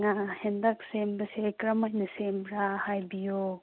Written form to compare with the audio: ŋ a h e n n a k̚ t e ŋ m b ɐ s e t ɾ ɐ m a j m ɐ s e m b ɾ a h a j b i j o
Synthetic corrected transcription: ŋ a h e n d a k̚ s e m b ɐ s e k ɾ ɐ m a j n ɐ s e m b ɾ a h a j b i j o